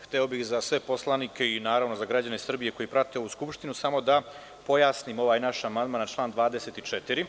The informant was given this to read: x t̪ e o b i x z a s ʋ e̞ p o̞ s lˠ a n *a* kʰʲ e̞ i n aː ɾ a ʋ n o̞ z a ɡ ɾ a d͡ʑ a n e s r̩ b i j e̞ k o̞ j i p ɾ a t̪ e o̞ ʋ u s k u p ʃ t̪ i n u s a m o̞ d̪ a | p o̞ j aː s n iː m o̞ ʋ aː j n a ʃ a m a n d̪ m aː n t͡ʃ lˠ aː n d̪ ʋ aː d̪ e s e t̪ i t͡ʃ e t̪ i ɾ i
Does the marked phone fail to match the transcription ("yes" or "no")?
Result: yes